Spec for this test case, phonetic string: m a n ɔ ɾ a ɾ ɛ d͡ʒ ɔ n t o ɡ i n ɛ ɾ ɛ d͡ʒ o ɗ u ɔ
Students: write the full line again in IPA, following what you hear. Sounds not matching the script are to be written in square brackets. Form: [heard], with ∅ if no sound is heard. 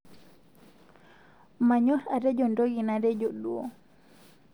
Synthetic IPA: m a [ɲ] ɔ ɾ a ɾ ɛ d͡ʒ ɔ n [d] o ɡ i n [a] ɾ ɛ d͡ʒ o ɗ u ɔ